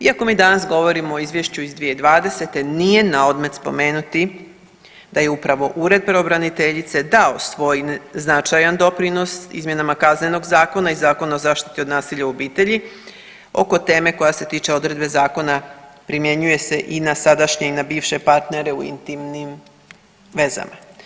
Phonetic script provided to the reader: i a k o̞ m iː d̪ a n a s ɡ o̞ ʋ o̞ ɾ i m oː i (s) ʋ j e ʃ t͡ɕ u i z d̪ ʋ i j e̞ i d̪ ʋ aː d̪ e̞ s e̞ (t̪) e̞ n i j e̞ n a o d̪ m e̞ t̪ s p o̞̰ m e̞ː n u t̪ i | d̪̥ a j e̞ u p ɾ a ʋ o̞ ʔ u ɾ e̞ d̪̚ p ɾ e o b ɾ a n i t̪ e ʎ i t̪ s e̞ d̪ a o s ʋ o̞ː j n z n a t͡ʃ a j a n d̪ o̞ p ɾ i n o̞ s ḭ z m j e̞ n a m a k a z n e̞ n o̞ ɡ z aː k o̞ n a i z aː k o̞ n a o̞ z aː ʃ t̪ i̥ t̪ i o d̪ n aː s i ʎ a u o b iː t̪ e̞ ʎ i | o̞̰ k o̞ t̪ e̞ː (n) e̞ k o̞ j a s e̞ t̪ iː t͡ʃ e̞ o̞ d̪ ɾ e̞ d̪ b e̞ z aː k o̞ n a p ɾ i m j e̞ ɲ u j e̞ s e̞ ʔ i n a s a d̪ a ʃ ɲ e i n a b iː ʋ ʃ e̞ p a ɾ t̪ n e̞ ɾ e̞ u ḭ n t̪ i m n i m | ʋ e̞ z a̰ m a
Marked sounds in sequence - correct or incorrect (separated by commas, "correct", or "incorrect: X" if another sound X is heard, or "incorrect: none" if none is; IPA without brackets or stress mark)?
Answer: incorrect: z, correct, incorrect: m